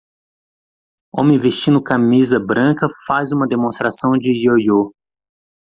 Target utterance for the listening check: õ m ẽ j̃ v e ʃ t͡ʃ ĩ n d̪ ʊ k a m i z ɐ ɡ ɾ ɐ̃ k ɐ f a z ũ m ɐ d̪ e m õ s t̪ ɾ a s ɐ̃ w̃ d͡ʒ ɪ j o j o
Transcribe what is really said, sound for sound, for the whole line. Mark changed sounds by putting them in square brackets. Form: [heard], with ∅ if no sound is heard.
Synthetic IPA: õ m ẽ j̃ v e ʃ t͡ʃ ĩ n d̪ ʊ k a m i z ɐ [b] ɾ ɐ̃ k ɐ f a z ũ m ɐ d̪ e m õ s t̪ ɾ a s ɐ̃ w̃ d͡ʒ ɪ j o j o

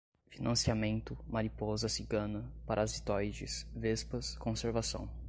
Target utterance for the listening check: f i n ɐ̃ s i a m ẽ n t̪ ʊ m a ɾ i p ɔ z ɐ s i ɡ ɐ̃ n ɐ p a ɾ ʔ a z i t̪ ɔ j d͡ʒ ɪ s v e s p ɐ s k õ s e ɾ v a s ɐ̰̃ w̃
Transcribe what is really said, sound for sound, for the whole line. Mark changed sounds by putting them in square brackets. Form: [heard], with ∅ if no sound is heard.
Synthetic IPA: f i n ɐ̃ s i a m ẽ n t̪ ʊ m a ɾ i p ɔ z ɐ s i ɡ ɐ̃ n ɐ p a ɾ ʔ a z i t̪ ɔ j d͡ʒ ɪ s v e s p ɐ s k õ s e ɾ v a s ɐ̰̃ w̃

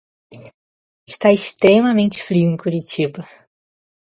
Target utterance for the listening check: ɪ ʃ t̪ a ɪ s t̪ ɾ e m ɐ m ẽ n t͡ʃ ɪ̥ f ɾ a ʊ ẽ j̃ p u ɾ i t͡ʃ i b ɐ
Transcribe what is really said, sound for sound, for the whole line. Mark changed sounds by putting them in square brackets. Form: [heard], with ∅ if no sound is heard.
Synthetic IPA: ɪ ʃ t̪ a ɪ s t̪ ɾ e m ɐ m ẽ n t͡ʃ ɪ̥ f ɾ [i] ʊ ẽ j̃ [k] u ɾ i t͡ʃ i b ɐ

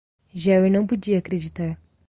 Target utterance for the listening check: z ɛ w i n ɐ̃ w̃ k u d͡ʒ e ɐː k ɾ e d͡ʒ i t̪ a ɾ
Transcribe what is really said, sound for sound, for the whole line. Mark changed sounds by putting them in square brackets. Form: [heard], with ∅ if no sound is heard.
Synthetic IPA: [ʒ] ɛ w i n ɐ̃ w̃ [p] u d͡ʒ [i] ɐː k ɾ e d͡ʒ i t̪ a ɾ

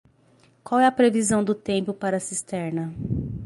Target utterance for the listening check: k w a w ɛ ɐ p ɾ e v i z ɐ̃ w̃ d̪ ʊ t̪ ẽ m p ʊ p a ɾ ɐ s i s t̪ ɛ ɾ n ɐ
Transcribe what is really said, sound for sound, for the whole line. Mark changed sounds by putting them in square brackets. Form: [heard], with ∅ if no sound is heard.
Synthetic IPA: k w a w ɛ ɐ p ɾ e v i z ɐ̃ w̃ d̪ ʊ t̪ ẽ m p ʊ p a ɾ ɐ s i s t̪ ɛ ɾ n ɐ

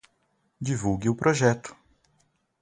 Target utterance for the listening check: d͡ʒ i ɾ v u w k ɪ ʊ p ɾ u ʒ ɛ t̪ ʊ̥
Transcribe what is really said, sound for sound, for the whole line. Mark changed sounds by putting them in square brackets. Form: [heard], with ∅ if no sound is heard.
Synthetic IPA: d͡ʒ i [∅] v u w [ɡ] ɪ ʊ p ɾ [o] ʒ ɛ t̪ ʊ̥

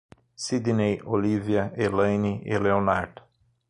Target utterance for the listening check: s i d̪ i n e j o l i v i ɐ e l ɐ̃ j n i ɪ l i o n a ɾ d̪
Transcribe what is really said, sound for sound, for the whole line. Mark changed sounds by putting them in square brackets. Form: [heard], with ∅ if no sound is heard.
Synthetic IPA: s i d̪ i n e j o l i v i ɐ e l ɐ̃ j n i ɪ l [e] o n a ɾ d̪

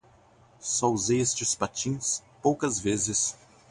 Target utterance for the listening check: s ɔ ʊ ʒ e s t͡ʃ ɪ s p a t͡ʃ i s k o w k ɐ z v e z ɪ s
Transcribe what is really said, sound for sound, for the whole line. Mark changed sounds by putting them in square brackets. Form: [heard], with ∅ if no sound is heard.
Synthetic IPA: s ɔ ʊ [z] e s t͡ʃ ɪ s p a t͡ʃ [ĩ] s [p] o w k ɐ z v e z ɪ s

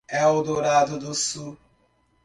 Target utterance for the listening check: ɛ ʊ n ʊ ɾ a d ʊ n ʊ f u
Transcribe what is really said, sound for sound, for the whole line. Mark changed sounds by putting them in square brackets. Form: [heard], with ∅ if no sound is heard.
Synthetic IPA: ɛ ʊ [d] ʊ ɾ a d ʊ [d] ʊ [s] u

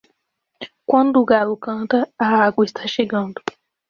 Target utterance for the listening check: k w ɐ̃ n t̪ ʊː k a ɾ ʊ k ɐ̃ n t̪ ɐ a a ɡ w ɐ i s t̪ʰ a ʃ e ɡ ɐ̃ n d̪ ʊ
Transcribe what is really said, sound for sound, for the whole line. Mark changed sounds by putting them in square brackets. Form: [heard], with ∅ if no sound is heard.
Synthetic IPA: k w ɐ̃ n [d̪] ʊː [ɡ] a [l] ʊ k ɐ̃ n t̪ ɐ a a ɡ w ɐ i s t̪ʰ a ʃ e ɡ ɐ̃ n d̪ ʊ

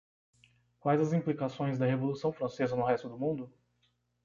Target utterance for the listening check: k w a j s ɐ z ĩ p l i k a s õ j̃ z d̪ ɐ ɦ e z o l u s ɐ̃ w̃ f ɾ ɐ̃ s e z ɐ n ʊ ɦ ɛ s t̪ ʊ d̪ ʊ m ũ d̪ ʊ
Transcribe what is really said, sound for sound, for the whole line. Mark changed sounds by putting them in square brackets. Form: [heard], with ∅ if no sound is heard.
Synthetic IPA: k w a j [z] ɐ z ĩ p l i k a s õ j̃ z d̪ ɐ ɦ e [v] o l u s ɐ̃ w̃ f ɾ ɐ̃ s e z ɐ n ʊ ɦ ɛ s t̪ ʊ d̪ ʊ m ũ d̪ ʊ

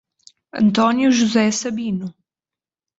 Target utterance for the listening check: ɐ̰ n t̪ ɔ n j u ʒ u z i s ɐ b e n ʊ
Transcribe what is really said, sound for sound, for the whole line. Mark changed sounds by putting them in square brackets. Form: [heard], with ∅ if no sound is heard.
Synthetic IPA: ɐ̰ n t̪ ɔ n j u ʒ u z [ɛ] s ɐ b [i] n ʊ

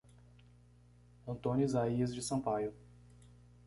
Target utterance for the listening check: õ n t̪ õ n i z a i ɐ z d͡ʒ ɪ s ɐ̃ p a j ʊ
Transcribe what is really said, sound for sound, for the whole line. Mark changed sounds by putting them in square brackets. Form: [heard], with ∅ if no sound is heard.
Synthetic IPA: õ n t̪ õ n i z a i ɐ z d͡ʒ ɪ s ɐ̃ p a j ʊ

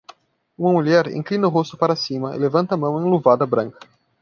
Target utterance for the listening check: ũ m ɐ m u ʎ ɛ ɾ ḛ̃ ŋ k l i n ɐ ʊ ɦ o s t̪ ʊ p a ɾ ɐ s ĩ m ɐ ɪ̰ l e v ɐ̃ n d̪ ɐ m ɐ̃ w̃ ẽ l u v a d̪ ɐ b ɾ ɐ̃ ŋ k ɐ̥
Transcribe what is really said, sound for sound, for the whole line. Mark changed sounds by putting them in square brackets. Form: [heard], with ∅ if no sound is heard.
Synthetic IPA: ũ m ɐ m u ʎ ɛ ɾ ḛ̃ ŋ k l i n ɐ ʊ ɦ o s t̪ ʊ p a ɾ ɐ s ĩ m ɐ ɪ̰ l e v ɐ̃ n [t̪] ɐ m ɐ̃ w̃ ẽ l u v a d̪ ɐ b ɾ ɐ̃ ŋ k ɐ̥

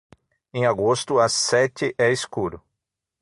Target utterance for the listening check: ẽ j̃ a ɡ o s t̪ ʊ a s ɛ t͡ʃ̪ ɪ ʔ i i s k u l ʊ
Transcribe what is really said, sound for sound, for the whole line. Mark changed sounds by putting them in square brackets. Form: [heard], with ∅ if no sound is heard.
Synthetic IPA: ẽ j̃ a ɡ o s t̪ ʊ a s ɛ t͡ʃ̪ ɪ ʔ [ɛ] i s k u [ɾ] ʊ

